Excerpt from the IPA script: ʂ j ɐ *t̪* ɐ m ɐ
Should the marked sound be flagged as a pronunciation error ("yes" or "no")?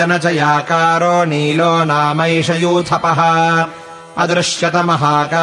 no